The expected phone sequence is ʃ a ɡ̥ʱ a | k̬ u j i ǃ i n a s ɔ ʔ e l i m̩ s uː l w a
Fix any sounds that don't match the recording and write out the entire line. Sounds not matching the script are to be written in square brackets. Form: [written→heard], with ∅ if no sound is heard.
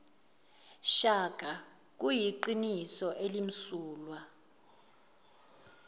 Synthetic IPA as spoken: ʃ a ɡ̥ʱ a | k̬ u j i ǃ i n [a→i] s ɔ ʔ e l i m̩ s uː l w a